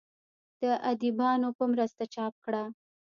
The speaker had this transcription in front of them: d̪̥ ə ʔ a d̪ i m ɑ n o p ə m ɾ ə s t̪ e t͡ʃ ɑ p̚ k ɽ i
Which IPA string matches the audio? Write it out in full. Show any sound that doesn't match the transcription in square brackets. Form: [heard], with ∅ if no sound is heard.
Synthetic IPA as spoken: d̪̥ ə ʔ a d̪ i [b] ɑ n o p ə m ɾ ə s t̪ [a] t͡ʃ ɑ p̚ k ɽ [a]